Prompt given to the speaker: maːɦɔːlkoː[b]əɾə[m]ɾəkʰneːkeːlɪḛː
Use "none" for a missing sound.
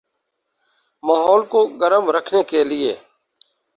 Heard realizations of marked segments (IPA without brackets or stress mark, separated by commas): ɡ, m